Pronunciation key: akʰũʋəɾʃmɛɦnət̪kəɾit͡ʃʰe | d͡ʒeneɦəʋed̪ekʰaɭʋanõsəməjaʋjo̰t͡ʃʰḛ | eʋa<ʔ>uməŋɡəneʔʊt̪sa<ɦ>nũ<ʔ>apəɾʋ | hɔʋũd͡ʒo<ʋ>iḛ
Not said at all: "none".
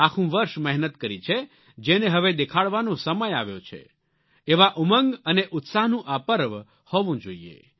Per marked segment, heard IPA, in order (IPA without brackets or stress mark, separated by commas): ʔ, ɦ, ʔ, none